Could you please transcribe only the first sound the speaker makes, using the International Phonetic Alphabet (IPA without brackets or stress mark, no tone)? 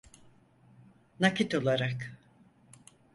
n